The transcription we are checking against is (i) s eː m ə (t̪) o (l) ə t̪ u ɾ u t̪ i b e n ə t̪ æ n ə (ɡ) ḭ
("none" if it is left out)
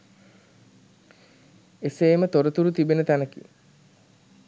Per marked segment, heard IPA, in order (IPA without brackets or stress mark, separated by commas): e, t̪, ɾ, k